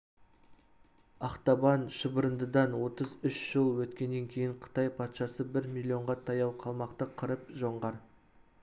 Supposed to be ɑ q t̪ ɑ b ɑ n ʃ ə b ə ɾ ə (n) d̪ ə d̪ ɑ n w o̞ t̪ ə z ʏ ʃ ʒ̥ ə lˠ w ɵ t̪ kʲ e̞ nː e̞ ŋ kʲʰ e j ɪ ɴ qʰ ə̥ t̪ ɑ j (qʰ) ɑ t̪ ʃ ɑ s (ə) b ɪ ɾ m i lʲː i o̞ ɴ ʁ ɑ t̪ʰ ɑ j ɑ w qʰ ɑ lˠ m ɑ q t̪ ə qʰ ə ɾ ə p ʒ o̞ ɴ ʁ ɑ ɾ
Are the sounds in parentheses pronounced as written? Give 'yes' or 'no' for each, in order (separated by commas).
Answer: yes, no, yes